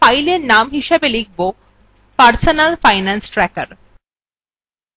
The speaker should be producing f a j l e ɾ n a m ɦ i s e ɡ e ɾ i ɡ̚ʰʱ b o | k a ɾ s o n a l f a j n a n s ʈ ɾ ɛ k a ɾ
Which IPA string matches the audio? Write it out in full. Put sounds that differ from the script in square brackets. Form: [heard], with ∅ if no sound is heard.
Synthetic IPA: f a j l e ɾ n a m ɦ i [ʃ] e [b] e [l] i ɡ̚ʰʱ b o | [p] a ɾ s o n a l f a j n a n s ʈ ɾ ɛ k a ɾ